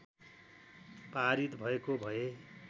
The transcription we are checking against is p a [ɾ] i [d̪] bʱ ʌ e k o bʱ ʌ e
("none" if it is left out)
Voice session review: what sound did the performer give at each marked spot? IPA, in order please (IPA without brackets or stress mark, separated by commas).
ɾ, t̪